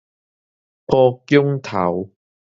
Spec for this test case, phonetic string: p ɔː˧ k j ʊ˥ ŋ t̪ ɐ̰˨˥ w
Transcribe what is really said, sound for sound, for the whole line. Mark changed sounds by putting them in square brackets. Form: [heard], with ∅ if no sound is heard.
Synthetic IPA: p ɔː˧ k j ʊ˥ ŋ [t̪ʰ] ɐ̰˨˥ w

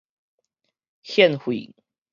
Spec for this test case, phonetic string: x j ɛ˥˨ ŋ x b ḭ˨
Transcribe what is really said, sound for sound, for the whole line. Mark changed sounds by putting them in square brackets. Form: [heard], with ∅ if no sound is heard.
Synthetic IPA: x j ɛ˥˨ [n] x [w] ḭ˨

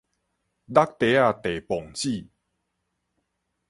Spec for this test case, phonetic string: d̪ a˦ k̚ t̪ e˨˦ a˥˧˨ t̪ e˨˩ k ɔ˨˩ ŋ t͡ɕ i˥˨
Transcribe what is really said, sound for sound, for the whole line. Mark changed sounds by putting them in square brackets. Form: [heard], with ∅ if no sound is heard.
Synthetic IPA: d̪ a˦ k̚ t̪ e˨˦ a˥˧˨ t̪ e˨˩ [p] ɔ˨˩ ŋ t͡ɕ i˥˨

